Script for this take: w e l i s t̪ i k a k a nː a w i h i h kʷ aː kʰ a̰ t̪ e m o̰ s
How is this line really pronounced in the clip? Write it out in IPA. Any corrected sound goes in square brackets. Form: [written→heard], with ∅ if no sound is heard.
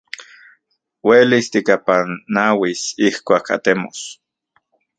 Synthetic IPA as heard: w e l i s t̪ i k a [k→p] a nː a w i [h→s] i h kʷ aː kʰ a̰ t̪ e m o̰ s